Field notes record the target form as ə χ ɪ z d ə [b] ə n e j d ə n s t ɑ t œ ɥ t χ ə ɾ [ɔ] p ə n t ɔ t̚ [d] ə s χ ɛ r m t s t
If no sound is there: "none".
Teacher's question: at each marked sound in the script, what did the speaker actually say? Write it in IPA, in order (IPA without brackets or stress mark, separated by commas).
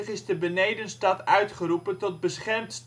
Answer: b, u, b